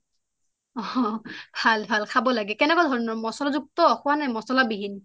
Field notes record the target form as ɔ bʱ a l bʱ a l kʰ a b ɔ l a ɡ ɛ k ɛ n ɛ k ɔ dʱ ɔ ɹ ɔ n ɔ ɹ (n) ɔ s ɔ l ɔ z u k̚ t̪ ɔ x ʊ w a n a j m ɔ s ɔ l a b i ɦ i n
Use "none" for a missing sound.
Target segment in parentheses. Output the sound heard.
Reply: m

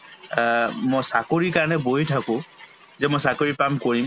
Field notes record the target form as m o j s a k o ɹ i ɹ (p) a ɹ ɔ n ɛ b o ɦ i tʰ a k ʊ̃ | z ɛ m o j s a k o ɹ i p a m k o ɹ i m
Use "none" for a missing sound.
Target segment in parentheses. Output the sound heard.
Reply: k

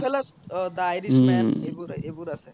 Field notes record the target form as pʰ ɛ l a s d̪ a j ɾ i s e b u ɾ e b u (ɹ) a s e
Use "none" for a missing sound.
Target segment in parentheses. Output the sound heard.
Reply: ɾ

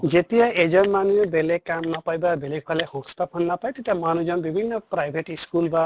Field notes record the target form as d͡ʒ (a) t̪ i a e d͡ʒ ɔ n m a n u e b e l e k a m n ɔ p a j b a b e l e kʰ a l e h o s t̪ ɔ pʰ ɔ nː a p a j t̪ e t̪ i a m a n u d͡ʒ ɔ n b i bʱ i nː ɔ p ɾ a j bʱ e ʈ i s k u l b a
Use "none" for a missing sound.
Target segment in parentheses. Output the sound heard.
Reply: e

